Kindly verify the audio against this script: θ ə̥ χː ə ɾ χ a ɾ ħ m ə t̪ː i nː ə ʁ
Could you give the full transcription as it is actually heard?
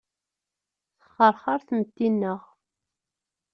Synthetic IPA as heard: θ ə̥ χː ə ɾ χ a ɾ θ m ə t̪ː i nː ə ʁ